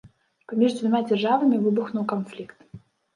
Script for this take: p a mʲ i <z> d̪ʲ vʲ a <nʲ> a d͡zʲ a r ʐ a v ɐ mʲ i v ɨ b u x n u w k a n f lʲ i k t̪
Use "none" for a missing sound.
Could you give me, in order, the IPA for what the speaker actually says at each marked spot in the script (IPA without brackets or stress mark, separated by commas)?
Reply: ʐ, mʲ